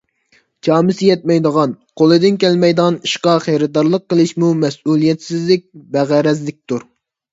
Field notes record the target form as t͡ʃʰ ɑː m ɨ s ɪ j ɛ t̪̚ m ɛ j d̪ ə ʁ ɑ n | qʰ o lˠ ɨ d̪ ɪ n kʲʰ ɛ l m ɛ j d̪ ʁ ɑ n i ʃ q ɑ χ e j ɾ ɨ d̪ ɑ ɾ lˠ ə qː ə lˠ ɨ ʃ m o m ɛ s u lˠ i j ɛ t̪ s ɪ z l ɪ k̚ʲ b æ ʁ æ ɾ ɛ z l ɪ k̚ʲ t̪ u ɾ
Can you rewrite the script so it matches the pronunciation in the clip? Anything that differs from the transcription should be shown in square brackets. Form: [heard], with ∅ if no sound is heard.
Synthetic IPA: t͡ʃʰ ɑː m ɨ s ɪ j ɛ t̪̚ m ɛ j d̪ ə ʁ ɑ n | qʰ o lˠ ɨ d̪ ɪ n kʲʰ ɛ l m ɛ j d̪ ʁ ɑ n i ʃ q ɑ χ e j ɾ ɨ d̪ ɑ ɾ lˠ ə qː ə lˠ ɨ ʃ m [u] m ɛ s u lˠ i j ɛ t̪ s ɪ z l ɪ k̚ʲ b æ ʁ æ ɾ ɛ z l ɪ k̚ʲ t̪ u ɾ